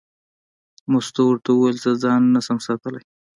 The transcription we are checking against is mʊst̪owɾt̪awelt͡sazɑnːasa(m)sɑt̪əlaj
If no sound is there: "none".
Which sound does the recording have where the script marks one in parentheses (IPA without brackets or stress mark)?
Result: m